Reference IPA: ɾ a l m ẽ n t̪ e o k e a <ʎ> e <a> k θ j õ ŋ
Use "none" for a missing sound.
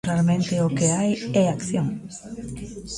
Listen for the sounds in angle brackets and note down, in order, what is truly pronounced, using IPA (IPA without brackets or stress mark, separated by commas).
j, a